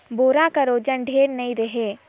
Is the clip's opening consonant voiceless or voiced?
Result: voiced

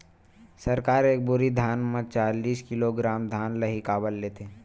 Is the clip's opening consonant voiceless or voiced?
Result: voiceless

